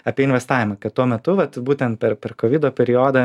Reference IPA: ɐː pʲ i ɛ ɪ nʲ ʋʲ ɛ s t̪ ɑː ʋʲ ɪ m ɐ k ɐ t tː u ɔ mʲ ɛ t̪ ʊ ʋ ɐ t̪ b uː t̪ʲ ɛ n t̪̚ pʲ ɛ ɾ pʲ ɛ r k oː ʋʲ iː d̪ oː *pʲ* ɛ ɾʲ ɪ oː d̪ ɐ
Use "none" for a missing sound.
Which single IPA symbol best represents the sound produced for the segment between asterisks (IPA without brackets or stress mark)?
pʲ